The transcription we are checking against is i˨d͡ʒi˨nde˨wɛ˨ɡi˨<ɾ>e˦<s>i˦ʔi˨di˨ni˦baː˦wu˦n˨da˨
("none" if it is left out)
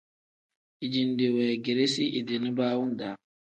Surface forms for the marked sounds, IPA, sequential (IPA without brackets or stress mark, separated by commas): ɾ, s